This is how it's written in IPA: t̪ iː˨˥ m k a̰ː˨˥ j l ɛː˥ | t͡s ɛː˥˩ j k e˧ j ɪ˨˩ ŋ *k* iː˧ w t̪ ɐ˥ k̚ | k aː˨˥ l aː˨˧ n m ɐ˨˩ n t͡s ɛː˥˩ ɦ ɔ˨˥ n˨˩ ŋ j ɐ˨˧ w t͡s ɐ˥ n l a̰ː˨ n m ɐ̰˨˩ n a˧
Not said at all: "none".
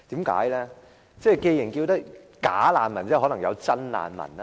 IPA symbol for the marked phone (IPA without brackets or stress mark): k